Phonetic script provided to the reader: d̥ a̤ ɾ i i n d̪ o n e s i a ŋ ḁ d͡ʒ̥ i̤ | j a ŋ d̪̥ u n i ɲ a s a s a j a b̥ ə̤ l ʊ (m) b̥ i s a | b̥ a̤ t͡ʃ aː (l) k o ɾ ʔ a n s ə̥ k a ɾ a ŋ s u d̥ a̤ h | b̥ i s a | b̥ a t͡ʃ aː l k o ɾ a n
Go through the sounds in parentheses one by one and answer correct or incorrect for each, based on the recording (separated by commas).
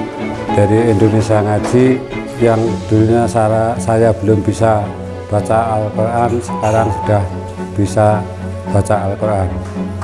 correct, correct